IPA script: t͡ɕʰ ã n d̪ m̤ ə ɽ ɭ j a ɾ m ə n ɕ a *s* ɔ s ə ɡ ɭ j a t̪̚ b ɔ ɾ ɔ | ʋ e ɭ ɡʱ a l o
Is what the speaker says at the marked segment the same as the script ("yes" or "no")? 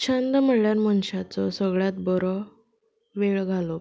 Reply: no